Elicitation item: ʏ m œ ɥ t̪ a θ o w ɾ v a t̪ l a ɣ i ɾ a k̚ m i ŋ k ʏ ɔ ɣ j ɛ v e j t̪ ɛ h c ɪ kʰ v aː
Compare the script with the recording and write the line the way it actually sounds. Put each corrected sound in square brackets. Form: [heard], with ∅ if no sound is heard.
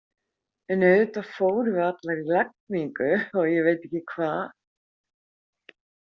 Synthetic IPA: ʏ [n] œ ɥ t̪ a [f] o w ɾ v a t̪ l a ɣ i [l] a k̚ m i ŋ k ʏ ɔ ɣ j ɛ v e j t̪ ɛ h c ɪ kʰ v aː